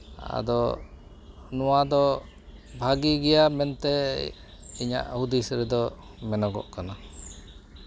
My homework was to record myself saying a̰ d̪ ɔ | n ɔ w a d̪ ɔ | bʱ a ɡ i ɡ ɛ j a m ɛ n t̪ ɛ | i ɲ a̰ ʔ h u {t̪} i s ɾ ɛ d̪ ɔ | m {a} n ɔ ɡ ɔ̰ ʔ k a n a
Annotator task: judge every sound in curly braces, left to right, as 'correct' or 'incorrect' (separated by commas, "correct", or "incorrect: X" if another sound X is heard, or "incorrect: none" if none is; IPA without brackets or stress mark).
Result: incorrect: d̪, incorrect: ɛ